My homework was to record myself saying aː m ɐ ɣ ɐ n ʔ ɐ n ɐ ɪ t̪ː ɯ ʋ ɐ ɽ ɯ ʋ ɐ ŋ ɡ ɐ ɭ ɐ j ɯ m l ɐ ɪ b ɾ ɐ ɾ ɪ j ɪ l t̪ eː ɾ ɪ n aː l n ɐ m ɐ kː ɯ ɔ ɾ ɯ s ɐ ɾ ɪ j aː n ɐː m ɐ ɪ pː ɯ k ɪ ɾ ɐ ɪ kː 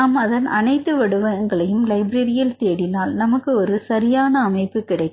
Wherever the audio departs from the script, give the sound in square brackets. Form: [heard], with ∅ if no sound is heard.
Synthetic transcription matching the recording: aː m ɐ [ð] ɐ n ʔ ɐ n ɐ ɪ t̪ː ɯ ʋ ɐ ɽ ɯ ʋ ɐ ŋ ɡ ɐ ɭ ɐ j ɯ m l ɐ ɪ b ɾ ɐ ɾ ɪ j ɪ l t̪ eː [ɽ] ɪ n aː l n ɐ m ɐ kː ɯ ɔ ɾ ɯ s ɐ ɾ ɪ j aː n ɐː m ɐ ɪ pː ɯ k ɪ [ɽ] ɐ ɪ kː